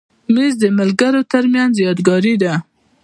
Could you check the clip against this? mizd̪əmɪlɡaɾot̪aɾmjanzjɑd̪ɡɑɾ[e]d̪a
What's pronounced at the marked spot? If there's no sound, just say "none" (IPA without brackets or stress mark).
i